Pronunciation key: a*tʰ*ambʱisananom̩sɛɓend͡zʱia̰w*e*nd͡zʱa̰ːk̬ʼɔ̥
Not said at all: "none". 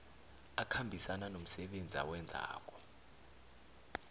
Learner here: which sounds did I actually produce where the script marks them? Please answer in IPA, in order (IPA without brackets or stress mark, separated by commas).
kʰ, ɛ